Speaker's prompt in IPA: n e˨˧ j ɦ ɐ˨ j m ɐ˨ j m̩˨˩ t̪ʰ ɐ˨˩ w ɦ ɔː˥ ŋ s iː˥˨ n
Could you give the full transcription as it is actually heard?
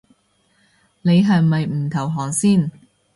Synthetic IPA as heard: n e˨˧ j ɦ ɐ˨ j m ɐ˨ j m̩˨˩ t̪ʰ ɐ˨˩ w ɦ ɔː˨˩ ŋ s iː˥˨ n